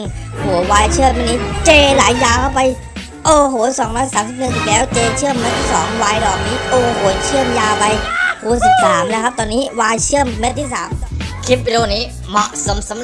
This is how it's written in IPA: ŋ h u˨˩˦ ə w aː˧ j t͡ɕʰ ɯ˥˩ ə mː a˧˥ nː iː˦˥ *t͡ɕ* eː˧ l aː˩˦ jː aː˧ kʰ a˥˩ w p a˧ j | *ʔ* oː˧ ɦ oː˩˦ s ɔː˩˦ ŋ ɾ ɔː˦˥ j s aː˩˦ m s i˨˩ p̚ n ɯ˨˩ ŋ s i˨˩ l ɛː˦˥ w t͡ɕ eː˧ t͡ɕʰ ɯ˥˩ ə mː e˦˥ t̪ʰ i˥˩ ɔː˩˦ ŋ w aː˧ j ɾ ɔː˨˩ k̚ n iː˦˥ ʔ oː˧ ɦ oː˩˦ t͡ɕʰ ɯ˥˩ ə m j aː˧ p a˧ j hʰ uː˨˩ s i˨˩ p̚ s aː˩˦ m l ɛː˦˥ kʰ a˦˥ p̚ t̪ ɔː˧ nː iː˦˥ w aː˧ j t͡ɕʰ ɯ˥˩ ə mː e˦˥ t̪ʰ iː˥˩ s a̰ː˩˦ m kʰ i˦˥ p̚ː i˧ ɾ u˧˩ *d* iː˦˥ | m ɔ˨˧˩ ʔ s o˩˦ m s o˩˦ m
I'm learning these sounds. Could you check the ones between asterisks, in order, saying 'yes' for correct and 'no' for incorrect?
yes, yes, no

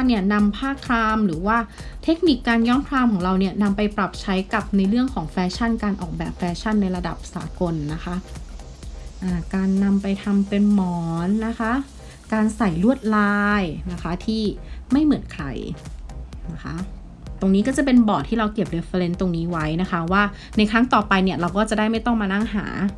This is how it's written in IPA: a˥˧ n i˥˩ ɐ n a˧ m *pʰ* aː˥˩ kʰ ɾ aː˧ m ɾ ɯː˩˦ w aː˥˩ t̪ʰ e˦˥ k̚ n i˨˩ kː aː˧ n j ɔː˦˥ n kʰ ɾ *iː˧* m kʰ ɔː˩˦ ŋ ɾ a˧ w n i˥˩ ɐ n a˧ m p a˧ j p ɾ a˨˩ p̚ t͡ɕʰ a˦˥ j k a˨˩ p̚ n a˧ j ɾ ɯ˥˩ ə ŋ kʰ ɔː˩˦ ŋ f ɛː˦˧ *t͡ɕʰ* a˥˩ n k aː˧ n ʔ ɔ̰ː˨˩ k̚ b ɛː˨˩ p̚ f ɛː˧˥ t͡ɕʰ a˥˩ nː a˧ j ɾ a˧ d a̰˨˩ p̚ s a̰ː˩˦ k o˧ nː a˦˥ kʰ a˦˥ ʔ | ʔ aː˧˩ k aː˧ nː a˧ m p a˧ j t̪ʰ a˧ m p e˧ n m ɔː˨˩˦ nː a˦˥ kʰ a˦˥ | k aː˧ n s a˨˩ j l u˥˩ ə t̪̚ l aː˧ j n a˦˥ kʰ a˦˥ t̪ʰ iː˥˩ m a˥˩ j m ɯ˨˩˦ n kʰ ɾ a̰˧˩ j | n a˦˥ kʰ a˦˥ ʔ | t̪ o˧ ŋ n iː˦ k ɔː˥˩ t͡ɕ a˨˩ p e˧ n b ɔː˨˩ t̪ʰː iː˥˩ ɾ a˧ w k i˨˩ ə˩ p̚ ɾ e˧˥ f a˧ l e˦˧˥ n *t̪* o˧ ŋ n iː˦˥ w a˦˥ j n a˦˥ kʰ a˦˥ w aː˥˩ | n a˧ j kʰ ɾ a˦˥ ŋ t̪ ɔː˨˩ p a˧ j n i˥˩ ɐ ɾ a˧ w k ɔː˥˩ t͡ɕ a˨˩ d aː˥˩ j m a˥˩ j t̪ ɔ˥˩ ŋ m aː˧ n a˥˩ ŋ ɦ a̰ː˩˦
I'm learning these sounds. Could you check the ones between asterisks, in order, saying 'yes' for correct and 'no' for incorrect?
yes, no, yes, yes

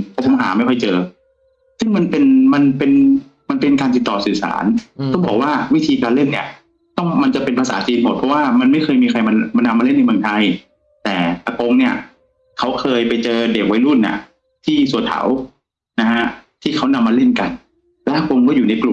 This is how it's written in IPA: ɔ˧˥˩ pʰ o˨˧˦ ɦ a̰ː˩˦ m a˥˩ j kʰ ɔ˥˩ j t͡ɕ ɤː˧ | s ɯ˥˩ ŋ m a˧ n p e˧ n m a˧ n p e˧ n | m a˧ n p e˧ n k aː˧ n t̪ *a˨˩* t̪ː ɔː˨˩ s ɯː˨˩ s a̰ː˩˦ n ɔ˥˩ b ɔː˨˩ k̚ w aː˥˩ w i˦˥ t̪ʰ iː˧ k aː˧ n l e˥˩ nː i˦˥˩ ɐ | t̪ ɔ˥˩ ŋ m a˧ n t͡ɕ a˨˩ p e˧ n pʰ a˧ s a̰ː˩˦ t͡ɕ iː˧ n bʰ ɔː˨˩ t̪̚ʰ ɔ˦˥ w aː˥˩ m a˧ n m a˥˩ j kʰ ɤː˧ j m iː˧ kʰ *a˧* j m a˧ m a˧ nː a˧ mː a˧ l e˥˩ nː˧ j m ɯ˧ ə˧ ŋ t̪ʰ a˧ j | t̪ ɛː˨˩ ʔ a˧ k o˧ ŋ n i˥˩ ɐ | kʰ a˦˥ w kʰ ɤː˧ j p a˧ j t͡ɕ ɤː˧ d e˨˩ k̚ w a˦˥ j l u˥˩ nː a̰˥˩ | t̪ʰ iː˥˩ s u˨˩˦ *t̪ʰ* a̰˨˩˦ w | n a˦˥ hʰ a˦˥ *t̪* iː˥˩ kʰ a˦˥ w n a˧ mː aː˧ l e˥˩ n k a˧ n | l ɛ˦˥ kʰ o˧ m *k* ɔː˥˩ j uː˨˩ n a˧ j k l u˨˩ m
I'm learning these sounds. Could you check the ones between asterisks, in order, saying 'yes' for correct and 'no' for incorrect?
no, yes, yes, no, yes

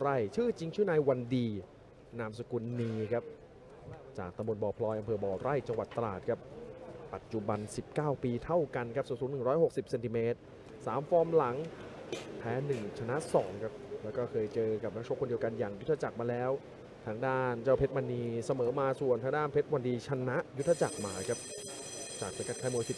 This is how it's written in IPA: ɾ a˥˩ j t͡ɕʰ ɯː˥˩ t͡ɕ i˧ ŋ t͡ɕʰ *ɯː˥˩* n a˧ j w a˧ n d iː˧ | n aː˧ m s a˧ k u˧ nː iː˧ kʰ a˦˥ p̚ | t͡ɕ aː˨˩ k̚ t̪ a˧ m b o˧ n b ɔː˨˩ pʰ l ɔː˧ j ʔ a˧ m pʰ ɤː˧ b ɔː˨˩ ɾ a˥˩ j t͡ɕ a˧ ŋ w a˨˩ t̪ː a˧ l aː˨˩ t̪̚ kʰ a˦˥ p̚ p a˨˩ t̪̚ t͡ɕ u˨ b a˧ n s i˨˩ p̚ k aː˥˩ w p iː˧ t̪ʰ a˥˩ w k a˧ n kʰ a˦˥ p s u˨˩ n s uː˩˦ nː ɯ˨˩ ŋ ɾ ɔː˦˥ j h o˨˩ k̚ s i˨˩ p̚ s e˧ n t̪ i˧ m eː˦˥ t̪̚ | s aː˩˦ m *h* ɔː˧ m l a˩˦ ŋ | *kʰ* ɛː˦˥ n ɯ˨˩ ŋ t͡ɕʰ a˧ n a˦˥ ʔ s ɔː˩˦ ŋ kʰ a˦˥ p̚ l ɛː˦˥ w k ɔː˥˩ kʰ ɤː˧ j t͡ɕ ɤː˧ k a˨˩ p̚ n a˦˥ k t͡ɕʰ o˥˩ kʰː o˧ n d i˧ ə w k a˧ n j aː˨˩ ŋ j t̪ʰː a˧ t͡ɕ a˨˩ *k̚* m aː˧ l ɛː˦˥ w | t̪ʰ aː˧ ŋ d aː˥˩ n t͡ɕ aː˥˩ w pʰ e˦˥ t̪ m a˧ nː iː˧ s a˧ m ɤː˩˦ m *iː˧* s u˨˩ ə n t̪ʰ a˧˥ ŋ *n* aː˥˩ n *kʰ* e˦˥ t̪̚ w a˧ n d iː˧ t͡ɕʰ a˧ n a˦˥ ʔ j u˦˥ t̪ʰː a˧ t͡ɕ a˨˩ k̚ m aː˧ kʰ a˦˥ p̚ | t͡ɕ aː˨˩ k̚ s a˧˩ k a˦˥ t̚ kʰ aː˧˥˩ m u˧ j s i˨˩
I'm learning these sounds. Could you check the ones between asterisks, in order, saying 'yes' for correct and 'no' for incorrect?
yes, no, no, yes, no, no, no

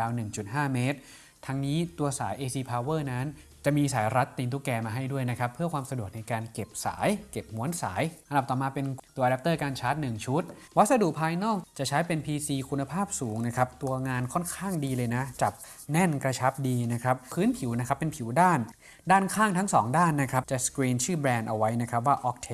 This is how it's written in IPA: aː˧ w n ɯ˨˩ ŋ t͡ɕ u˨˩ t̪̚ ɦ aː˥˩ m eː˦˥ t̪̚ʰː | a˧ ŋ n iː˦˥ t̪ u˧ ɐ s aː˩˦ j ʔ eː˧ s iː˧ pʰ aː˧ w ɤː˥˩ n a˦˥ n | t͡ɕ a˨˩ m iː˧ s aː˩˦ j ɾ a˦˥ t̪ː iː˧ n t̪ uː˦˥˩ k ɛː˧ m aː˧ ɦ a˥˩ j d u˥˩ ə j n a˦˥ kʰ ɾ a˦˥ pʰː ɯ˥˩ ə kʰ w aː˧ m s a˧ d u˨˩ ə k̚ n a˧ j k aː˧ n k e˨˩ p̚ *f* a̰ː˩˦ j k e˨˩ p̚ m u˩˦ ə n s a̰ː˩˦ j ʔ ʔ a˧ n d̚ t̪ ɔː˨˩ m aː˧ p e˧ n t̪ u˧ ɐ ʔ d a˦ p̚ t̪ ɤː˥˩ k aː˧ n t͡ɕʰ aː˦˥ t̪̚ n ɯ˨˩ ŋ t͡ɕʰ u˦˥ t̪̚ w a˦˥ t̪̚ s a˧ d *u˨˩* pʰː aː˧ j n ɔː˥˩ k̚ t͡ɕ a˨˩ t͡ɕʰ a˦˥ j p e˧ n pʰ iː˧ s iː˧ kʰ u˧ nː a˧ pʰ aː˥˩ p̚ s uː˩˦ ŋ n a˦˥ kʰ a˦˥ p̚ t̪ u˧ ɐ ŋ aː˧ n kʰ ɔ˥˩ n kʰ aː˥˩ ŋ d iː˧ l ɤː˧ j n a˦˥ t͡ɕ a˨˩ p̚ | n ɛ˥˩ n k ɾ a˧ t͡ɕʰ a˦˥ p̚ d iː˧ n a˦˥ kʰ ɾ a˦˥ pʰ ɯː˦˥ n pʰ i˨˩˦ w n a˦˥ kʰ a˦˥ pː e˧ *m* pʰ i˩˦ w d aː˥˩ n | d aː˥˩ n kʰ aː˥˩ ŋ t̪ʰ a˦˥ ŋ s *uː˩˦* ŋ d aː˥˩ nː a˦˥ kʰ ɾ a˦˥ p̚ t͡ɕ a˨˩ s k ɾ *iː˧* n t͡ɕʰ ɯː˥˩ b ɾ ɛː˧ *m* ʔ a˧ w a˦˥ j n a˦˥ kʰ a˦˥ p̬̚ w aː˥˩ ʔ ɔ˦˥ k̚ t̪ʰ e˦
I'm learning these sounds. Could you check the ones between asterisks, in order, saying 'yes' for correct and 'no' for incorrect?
no, yes, no, no, yes, no

